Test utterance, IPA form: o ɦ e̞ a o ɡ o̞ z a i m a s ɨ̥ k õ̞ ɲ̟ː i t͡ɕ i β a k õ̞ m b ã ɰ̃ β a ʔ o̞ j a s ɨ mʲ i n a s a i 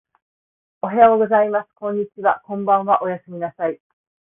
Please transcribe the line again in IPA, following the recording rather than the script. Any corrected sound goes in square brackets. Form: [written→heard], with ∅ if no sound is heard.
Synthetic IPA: o ɦ e̞ a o ɡ o̞ z a i m a s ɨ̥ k õ̞ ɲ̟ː i t͡ɕ i β a k õ̞ m b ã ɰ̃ β a ʔ o̞ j a s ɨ mʲ i n a s a i

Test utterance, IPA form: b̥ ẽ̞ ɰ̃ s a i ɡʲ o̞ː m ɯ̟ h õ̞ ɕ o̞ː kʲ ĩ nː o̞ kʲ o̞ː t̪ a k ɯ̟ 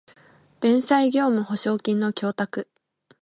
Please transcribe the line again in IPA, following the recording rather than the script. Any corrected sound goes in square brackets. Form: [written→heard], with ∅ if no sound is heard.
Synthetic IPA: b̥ ẽ̞ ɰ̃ s a i ɡʲ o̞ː m ɯ̟ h [õ̞→o̞] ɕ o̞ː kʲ ĩ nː o̞ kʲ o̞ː t̪ a k ɯ̟

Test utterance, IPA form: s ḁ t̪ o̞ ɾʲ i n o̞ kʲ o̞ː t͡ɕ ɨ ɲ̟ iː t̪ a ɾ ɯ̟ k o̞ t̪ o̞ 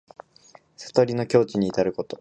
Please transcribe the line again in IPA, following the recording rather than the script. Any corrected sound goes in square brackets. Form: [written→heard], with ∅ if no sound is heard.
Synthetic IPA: s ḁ t̪ o̞ ɾʲ i n o̞ kʲ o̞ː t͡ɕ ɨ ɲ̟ iː t̪ a ɾ ɯ̟ k o̞ t̪ o̞

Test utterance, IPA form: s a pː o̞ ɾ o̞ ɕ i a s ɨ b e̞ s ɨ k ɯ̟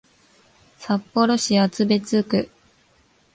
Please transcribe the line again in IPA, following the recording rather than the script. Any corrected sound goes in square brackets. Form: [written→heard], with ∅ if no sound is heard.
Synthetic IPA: s a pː o̞ ɾ o̞ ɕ i a [s→t͡s] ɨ b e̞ [s→t͡s] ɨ k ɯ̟

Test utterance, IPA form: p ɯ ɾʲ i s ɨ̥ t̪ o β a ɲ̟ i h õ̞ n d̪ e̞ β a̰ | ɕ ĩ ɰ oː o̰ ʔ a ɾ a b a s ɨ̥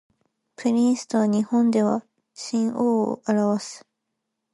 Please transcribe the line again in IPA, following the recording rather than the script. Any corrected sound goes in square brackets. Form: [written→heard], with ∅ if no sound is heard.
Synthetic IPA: p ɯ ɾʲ i s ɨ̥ t̪ o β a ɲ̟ i h õ̞ n d̪ e̞ β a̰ | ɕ ĩ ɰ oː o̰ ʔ a ɾ a [b→β] a s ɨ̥

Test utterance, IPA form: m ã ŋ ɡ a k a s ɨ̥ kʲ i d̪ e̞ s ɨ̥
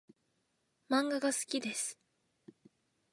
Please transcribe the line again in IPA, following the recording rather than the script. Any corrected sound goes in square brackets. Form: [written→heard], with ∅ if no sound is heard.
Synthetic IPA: m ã ŋ ɡ a [k→ɡ] a s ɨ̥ kʲ i d̪ e̞ s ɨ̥

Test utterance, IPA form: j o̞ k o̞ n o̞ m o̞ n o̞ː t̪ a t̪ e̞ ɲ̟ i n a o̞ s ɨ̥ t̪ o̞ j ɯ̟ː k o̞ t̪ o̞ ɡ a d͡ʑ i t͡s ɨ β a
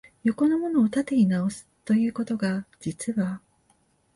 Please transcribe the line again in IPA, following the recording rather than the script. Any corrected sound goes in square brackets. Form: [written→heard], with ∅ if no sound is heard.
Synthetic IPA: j o̞ k o̞ n o̞ m o̞ n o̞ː t̪ a t̪ e̞ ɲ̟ i n a o̞ s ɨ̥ t̪ o̞ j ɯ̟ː k o̞ t̪ o̞ ɡ a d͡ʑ i t͡s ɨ β a

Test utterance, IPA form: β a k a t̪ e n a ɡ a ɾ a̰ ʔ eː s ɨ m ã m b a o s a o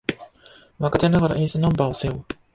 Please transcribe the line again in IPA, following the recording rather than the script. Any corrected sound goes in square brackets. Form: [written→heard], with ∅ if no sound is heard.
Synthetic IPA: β a k a t̪ e n a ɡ a ɾ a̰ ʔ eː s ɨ [m→n] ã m b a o s [a→e] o

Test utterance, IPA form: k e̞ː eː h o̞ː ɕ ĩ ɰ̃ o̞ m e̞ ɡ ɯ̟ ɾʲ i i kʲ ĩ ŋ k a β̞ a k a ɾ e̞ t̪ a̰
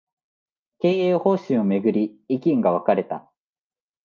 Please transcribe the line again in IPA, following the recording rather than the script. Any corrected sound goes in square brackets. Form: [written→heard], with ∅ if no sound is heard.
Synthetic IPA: k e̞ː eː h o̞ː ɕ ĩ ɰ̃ o̞ m e̞ ɡ ɯ̟ ɾʲ i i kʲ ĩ ŋ [k→ɡ] a β̞ a k a ɾ e̞ t̪ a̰

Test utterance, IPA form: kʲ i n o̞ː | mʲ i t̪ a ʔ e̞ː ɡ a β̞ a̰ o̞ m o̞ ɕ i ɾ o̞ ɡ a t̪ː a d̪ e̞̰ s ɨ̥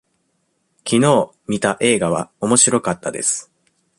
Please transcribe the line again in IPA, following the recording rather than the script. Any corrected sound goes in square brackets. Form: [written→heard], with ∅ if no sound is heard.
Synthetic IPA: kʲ i n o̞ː | mʲ i t̪ a ʔ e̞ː ɡ a β̞ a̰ o̞ m o̞ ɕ i ɾ o̞ [ɡ→k] a t̪ː a d̪ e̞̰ s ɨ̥

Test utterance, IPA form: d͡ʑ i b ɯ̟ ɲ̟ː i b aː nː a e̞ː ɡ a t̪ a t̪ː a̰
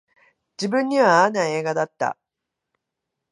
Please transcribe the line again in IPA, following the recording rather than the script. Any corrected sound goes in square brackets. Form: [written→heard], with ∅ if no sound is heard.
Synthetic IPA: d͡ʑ i b [ɯ̟→ɯ̟̃] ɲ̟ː i [b→β] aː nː a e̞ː ɡ a [t̪→d̪] a t̪ː a̰

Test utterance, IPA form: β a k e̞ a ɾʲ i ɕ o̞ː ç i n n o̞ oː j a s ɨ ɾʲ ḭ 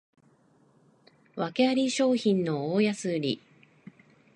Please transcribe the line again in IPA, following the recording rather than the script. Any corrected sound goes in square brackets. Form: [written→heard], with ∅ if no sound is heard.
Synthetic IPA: β a k e̞ a ɾʲ i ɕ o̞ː ç [i→ĩ] n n o̞ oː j a s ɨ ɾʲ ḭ

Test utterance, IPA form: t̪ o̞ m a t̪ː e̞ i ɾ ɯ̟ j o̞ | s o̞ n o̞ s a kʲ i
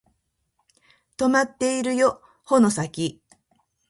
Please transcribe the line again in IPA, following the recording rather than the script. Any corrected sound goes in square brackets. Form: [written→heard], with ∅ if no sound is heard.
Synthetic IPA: t̪ o̞ m a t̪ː e̞ i ɾ ɯ̟ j o̞ | [s→h] o̞ n o̞ s a kʲ i

